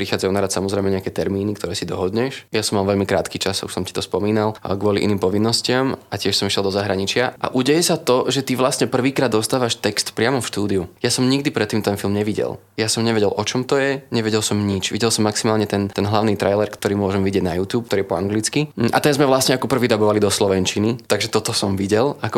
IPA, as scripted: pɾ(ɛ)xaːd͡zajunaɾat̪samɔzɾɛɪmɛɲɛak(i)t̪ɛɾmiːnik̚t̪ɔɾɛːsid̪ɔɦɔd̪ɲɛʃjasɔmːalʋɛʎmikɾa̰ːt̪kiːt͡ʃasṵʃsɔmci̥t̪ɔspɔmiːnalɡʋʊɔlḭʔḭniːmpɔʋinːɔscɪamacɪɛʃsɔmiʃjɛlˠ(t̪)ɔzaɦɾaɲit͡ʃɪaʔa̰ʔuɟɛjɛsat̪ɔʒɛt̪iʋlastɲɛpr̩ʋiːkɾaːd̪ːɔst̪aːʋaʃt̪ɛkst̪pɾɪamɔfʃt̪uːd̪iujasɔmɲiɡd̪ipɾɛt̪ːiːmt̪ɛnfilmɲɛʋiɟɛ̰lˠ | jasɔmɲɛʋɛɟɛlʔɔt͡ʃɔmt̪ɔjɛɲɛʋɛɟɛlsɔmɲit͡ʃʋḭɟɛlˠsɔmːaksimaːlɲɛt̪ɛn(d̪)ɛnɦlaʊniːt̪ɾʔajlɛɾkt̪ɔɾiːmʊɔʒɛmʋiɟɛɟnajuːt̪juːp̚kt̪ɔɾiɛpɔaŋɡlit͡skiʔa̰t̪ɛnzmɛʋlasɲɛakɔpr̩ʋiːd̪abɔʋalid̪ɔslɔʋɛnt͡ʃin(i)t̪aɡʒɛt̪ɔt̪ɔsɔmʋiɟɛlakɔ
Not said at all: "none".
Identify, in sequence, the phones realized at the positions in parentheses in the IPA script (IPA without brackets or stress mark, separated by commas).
i, ɛ, d̪, t̪, i